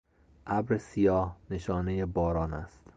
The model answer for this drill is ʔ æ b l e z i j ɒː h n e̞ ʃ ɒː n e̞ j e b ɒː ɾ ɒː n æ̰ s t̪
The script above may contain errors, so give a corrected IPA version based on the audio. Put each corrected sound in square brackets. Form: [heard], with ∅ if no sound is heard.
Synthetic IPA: ʔ æ b [ɾ] e [s] i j ɒː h n e̞ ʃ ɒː n e̞ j e b ɒː ɾ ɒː n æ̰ s t̪